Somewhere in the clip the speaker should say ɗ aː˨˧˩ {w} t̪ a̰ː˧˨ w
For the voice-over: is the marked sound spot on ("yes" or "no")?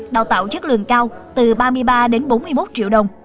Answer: yes